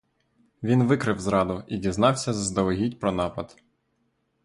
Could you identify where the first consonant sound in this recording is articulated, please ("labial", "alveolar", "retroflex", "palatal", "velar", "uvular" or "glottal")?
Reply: labial